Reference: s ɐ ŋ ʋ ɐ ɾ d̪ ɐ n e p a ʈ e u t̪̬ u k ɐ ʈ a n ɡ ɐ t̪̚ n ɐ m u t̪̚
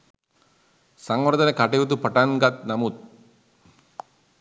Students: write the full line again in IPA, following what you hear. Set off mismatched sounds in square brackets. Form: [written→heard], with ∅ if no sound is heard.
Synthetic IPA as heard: s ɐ ŋ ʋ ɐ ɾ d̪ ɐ n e [p→k] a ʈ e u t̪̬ u [k→p] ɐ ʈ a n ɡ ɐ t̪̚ n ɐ m u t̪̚